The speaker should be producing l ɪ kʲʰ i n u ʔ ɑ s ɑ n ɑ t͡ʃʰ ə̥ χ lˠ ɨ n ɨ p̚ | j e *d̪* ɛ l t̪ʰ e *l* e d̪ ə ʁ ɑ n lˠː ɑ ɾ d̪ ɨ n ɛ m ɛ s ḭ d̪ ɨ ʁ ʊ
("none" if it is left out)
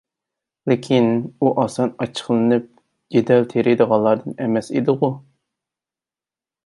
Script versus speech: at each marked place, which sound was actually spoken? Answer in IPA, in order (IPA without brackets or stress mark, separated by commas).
d̪, ɾ